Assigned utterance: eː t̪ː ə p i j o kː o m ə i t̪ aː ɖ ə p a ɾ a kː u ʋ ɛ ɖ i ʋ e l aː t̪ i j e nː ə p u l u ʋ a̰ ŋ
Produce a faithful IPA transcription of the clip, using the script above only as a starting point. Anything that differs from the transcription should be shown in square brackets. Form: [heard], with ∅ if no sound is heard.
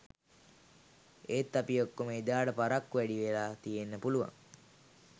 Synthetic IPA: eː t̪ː [a] p i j o kː o m ə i [d̪] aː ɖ ə p a ɾ a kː u ʋ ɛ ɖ i ʋ e l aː t̪ i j e nː ə p u l u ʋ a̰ ŋ

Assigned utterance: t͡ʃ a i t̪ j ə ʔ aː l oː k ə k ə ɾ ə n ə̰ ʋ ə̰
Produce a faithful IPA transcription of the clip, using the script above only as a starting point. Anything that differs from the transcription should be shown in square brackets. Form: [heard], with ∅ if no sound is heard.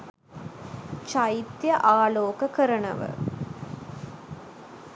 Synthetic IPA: t͡ʃ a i t̪ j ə ʔ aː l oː k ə k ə ɾ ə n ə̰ ʋ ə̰

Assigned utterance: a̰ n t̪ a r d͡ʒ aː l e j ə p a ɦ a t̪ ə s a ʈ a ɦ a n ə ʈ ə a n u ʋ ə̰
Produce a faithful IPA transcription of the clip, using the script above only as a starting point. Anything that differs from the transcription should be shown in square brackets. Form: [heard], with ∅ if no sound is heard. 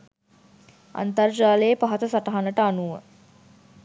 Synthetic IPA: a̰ n t̪ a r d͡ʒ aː l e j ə p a ɦ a t̪ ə s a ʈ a ɦ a n ə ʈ ə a n u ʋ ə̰

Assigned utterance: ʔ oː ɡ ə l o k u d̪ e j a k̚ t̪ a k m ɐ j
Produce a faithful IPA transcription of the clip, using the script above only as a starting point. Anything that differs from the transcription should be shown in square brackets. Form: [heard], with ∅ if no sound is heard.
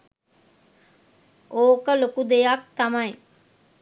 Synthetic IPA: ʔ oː [k] ə l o k u d̪ e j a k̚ t̪ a [∅] m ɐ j

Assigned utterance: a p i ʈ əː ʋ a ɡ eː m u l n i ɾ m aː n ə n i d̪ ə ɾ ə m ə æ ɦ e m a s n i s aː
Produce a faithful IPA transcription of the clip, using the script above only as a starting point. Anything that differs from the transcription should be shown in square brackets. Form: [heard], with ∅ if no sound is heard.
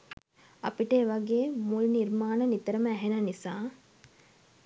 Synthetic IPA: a p i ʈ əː ʋ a ɡ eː m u l n i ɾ m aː n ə n i [t̪] ə ɾ ə m ə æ ɦ e [n] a [∅] n i s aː

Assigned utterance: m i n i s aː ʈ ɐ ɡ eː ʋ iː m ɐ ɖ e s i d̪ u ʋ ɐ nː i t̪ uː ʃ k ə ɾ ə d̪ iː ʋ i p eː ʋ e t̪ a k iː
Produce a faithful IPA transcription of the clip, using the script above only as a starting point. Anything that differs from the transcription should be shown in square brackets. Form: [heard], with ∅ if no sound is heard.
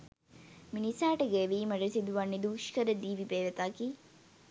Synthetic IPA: m i n i s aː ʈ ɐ ɡ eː ʋ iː m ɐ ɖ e s i d̪ u ʋ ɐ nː i [d̪] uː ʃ k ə ɾ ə d̪ iː ʋ i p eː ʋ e t̪ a k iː

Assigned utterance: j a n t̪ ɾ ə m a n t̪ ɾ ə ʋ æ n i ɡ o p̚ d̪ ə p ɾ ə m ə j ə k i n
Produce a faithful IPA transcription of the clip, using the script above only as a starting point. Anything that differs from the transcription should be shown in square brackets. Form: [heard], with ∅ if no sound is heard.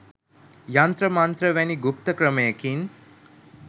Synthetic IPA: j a n t̪ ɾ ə m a n t̪ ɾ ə ʋ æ n i ɡ [u] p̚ [t̪] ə [k] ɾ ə m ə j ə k i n

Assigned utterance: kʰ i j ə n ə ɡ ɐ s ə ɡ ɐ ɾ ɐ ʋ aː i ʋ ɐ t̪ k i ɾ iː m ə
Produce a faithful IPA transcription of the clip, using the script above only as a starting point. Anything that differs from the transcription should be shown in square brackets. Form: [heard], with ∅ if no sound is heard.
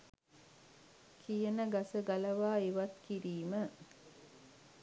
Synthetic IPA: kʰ i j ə n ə ɡ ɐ s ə ɡ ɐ [l] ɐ ʋ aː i ʋ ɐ t̪ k i ɾ iː m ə

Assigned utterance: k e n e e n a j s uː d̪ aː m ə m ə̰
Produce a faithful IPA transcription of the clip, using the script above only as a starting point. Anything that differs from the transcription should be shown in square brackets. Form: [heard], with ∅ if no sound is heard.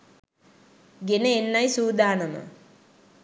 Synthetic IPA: [ɡ] e n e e [nː] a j s uː d̪ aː [n] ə m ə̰

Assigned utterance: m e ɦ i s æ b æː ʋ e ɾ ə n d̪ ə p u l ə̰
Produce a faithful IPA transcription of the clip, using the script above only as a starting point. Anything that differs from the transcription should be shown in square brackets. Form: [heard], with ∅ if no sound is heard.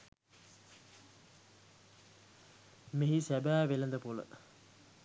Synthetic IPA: m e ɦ i s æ b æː ʋ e [l] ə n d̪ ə p u l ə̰

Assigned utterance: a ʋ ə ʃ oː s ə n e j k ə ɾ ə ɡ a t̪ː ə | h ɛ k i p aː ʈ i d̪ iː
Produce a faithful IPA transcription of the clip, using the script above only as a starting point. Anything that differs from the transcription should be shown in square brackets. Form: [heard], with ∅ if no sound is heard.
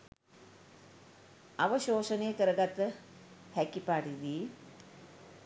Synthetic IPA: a ʋ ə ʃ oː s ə n e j k ə ɾ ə ɡ a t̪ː ə | h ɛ k i p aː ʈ i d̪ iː

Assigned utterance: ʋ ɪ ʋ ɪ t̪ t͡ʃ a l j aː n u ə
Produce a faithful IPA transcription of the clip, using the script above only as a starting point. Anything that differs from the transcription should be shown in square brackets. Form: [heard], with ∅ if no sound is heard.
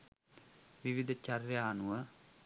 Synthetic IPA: ʋ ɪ ʋ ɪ [d̪] t͡ʃ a [ɾ] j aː n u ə

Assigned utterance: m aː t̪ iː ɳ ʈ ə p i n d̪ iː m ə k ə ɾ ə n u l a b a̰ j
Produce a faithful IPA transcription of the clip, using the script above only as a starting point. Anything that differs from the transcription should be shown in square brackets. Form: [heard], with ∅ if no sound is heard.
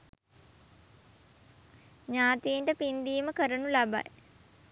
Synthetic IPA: [ɲ] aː t̪ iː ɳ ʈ ə p i n d̪ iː m ə k ə ɾ ə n u l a b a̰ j

